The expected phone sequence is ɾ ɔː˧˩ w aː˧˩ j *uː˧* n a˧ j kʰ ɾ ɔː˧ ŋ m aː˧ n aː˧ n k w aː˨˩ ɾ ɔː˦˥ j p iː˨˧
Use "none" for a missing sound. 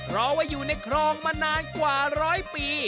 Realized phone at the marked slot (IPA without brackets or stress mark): uː˨˩